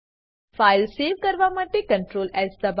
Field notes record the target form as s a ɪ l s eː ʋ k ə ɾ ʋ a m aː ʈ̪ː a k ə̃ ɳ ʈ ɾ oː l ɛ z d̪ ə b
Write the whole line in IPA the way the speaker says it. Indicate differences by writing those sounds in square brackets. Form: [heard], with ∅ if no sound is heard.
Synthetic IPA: [f] a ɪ l s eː ʋ k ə ɾ ʋ a m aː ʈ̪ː [e] k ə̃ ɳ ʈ ɾ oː l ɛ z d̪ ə b

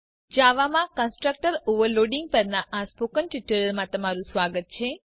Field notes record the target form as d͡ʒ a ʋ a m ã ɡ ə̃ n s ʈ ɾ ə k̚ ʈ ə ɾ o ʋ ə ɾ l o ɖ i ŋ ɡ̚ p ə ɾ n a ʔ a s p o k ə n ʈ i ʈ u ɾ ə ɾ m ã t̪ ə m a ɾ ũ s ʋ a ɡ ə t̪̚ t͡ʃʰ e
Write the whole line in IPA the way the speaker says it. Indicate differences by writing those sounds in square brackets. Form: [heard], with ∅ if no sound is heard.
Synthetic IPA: d͡ʒ a ʋ a m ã [k] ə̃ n s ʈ ɾ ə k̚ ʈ ə ɾ o ʋ ə ɾ l o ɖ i ŋ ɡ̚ p ə ɾ n a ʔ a s p o k ə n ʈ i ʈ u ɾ ə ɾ m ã t̪ ə m a ɾ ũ s ʋ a ɡ ə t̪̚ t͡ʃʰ e

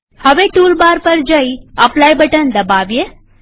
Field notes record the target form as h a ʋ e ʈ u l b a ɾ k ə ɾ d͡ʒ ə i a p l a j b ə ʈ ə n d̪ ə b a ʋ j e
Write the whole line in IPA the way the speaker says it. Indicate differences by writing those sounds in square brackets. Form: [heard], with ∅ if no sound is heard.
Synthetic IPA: h [ə] ʋ e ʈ u l b a ɾ [p] ə ɾ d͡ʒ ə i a p l a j b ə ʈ ə n d̪ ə b a ʋ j e

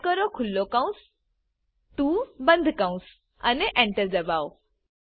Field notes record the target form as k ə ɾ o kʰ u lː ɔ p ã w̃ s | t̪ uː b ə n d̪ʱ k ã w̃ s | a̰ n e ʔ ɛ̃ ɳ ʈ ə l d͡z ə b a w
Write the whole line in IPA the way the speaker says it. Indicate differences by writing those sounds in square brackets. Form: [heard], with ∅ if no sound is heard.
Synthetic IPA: k ə ɾ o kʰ u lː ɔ [k] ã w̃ s | t̪ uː b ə n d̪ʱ k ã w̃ s | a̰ n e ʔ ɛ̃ ɳ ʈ ə [ɾ] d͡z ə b a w

